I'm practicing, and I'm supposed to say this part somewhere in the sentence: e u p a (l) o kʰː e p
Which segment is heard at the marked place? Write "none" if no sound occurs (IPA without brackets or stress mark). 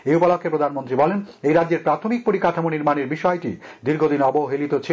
l